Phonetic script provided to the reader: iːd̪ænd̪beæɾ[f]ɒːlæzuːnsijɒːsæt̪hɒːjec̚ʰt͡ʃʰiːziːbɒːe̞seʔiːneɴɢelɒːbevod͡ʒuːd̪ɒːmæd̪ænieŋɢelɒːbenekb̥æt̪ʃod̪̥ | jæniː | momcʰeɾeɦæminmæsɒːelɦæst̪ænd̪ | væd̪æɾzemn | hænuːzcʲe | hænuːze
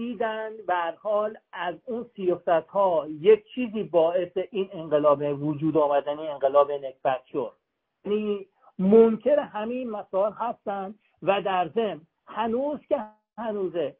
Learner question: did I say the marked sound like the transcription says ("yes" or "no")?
no